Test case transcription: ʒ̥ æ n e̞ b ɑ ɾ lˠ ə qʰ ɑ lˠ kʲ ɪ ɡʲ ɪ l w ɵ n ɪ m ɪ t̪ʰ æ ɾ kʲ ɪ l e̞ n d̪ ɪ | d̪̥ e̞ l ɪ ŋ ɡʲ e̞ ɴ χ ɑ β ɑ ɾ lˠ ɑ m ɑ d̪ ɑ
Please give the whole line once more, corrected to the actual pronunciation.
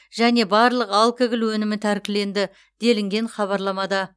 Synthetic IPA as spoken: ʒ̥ æ n e̞ b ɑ ɾ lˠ ə q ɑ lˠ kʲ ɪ ɡʲ ɪ l w ɵ n ɪ m ɪ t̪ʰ æ ɾ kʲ ɪ l e̞ n d̪ ɪ | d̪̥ e̞ l ɪ ŋ ɡʲ e̞ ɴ χ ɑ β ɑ ɾ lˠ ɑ m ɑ d̪ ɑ

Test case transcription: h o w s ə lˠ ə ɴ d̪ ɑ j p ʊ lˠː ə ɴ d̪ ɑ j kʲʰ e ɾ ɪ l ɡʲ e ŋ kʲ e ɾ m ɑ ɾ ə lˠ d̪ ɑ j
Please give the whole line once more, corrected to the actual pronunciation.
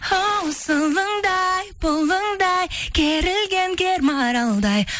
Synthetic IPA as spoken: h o w s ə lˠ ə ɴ d̪ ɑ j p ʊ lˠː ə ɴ d̪ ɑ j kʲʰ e ɾ ɪ l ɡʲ e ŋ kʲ e ɾ m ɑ ɾ ɑ lˠ d̪ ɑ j

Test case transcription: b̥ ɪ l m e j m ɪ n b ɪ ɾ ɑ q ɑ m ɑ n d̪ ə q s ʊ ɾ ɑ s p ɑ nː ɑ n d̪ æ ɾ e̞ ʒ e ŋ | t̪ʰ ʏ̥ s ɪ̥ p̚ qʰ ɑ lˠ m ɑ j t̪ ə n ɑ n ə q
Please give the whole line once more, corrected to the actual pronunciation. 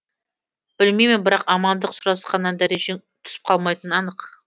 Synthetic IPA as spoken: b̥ ɪ l m e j m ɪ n b ɪ ɾ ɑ q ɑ m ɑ n d̪ ə q s ʊ ɾ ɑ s q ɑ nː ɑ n d̪ æ ɾ e̞ ʒ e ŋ | t̪ʰ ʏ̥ s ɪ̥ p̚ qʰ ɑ lˠ m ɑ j t̪ ə n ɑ n ə q

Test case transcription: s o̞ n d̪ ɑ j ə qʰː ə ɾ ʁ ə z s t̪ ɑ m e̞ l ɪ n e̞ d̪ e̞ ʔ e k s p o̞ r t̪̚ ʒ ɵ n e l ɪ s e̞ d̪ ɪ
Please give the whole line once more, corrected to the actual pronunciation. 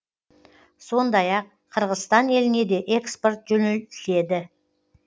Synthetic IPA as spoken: s o̞ n d̪ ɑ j ɑ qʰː ə ɾ ʁ ə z s t̪ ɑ n e̞ l ɪ n e̞ d̪ e̞ ʔ e k s p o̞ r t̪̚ ʒ ɵ n e l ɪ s e̞ d̪ ɪ

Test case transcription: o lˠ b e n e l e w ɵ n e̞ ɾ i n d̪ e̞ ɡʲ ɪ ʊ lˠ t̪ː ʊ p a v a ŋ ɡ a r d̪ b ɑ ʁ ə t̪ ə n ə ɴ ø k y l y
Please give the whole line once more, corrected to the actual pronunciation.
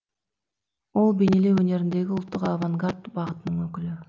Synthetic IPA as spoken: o lˠ b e n e l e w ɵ n e̞ ɾ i n d̪ e̞ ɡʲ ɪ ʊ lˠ t̪ː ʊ q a v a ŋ ɡ a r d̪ b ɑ ʁ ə t̪ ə n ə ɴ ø k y l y

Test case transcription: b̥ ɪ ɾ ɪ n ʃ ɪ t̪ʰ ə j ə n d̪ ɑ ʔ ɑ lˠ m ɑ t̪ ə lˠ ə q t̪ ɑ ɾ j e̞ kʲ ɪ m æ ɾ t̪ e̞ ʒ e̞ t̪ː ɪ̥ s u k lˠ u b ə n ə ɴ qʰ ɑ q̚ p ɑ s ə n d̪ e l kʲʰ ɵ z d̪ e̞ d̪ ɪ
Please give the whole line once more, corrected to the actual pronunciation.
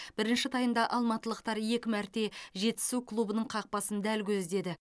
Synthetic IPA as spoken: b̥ ɪ ɾ ɪ n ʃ ɪ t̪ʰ ɑ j ə n d̪ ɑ ʔ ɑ lˠ m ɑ t̪ ə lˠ ə q t̪ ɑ ɾ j e̞ kʲ ɪ m æ ɾ t̪ e̞ ʒ e̞ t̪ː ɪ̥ s u k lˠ u b ə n ə ɴ qʰ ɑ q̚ p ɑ s ə n d̪ æ l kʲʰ ɵ z d̪ e̞ d̪ ɪ

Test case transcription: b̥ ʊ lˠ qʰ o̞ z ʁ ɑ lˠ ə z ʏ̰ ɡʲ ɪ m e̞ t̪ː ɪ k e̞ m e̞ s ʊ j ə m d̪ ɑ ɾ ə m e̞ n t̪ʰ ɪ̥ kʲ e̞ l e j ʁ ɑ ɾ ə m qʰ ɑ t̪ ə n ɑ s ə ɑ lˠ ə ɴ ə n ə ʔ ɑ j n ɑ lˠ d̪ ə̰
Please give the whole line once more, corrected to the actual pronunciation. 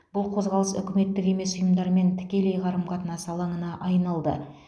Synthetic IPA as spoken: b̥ ʊ lˠ qʰ o̞ z ʁ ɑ lˠ ə s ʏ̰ kʲ ɪ m e̞ t̪ː ɪ k e̞ m e̞ s ʊ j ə m d̪ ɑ ɾ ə m e̞ n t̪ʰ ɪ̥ kʲ e̞ l e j ʁ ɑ ɾ ə m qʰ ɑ t̪ ə n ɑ s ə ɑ lˠ ɑ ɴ ə n ɑ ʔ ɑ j n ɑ lˠ d̪ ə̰

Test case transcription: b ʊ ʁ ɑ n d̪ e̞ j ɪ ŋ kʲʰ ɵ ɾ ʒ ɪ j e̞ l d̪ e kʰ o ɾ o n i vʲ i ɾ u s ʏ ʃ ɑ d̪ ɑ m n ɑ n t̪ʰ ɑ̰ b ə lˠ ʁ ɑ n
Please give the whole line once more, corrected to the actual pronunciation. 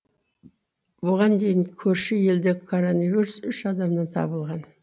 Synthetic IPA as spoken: b ʊ ʁ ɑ n d̪ e̞ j ɪ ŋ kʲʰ ɵ ɾ ʃ ɪ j e̞ l d̪ e kʰ o ɾ o n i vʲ i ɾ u s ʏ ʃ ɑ d̪ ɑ m n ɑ n t̪ʰ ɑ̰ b ə lˠ ʁ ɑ n

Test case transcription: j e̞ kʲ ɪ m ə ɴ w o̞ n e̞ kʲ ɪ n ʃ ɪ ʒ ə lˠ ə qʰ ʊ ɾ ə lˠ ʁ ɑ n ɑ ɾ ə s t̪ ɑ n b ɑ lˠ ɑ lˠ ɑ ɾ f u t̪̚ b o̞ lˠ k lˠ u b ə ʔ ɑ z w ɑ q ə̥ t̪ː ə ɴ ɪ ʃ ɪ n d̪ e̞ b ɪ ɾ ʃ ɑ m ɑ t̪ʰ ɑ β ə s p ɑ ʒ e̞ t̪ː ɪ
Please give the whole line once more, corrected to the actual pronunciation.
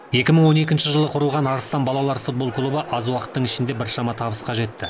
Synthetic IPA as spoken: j e̞ kʲ ɪ m ə ɴ w o̞ n e̞ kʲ ɪ n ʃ ɪ ʒ ə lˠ ə qʰ ʊ ɾ ə lˠ ʁ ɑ n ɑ ɾ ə s t̪ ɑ n b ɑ lˠ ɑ lˠ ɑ ɾ f u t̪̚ b o̞ lˠ k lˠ u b ə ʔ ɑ z w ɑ q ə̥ t̪ː ə ɴ ɪ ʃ ɪ n d̪ e̞ b ɪ ɾ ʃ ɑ m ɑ t̪ʰ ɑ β ə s q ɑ ʒ e̞ t̪ː ɪ

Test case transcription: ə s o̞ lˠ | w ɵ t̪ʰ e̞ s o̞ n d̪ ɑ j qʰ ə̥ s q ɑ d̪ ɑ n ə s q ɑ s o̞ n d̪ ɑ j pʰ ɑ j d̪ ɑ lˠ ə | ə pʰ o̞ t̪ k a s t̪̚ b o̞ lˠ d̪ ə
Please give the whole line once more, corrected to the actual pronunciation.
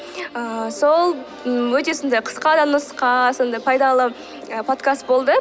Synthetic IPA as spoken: ə s o̞ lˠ | w ɵ t̪ e̞ s o̞ n d̪ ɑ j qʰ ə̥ s q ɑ d̪ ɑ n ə s q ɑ s o̞ n d̪ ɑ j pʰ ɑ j d̪ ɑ lˠ ə | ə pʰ o̞ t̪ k a s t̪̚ b o̞ lˠ d̪ ə

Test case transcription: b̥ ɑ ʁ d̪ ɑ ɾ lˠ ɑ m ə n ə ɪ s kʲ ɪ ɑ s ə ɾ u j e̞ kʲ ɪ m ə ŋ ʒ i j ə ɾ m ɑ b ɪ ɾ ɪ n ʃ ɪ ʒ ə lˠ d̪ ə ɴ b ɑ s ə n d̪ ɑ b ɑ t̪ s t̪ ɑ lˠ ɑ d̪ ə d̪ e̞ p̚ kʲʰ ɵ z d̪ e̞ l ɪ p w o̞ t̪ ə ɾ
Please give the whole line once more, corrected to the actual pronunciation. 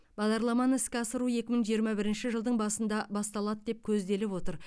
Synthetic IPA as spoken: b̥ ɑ ʁ d̪ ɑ ɾ lˠ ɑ m ɑ n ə ɪ s kʲ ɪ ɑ s ə ɾ u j e̞ kʲ ɪ m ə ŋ ʒ i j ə ɾ m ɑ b ɪ ɾ ɪ n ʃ ɪ ʒ ə lˠ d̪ ə ɴ b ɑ s ə n d̪ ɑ b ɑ s t̪ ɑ lˠ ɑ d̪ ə d̪ e̞ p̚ kʲʰ ɵ z d̪ e̞ l ɪ p w o̞ t̪ ə ɾ

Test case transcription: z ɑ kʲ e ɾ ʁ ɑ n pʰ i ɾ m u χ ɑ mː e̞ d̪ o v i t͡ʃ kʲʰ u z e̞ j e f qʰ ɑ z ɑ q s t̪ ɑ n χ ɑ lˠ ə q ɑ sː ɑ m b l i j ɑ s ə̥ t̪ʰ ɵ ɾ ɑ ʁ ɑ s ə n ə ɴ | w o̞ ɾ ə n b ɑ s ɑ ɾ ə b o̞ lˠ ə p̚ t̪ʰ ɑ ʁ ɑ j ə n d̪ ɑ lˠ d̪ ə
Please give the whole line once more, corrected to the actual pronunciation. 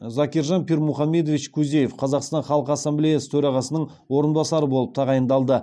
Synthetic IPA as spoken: z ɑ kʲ e ɾ ʒ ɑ n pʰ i ɾ m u χ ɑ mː e̞ d̪ o v i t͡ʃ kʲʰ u z e̞ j e f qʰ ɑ z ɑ q s t̪ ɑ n χ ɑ lˠ ə q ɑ sː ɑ m b l i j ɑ s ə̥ t̪ʰ ɵ ɾ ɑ ʁ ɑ s ə n ə ɴ | w o̞ ɾ ə n b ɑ s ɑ ɾ ə b o̞ lˠ ə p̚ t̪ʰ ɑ ʁ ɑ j ə n d̪ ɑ lˠ d̪ ə

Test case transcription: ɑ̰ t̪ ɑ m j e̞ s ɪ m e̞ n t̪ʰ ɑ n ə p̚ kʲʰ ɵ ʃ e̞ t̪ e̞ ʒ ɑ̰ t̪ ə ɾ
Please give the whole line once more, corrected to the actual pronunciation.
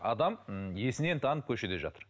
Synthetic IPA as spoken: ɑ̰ d̪ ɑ m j e̞ s ɪ n e̞ n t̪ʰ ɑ n ə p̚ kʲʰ ɵ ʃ e̞ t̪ e̞ ʒ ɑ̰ t̪ ə ɾ

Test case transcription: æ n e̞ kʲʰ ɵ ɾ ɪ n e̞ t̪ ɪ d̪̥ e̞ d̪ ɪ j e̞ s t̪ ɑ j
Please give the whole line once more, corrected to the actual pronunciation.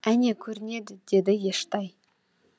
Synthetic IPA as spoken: æ n e̞ kʲʰ ɵ ɾ ɪ n e̞ d̪ ɪ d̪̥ e̞ d̪ ɪ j e̞ ʃ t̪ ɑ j

